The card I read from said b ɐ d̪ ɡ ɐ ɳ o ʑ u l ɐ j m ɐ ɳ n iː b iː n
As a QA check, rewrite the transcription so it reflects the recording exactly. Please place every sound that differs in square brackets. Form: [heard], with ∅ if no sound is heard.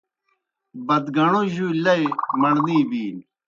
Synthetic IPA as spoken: b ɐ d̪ ɡ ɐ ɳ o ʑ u l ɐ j m ɐ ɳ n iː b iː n